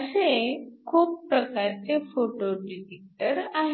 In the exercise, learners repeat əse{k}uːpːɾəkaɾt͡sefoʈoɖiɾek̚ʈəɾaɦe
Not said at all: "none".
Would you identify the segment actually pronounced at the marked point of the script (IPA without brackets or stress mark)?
kʰ